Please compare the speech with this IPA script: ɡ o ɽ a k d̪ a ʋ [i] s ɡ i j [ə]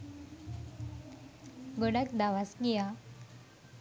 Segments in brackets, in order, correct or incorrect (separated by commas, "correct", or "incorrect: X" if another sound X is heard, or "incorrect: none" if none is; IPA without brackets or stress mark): incorrect: a, incorrect: a